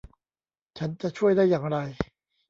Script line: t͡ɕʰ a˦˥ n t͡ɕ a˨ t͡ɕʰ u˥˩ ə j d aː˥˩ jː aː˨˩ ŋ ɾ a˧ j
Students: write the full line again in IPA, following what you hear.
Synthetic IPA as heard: t͡ɕʰ a˦˥ n t͡ɕ a˨ t͡ɕʰ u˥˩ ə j d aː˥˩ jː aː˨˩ ŋ ɾ a˧ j